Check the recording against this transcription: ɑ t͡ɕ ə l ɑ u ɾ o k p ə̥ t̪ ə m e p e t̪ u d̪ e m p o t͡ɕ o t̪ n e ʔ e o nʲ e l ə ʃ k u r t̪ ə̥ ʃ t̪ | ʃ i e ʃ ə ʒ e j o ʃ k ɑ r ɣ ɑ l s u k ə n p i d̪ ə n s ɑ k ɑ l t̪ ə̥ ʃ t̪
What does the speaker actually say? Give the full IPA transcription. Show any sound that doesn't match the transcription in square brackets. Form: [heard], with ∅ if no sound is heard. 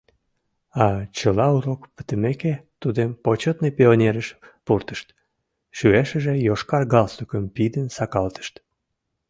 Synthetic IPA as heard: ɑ t͡ɕ ə l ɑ u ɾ o k p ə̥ t̪ ə m e [k] e t̪ u d̪ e m p o t͡ɕ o t̪ n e [p] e o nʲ e [ɾ] ə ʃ [p] u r t̪ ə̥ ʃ t̪ | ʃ [y] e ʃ ə ʒ e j o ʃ k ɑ r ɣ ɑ l s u k ə [m] p i d̪ ə n s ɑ k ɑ l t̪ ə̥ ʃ t̪